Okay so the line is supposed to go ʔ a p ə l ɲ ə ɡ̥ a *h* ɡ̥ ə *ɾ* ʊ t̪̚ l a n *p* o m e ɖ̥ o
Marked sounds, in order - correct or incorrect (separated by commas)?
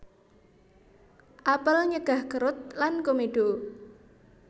correct, correct, incorrect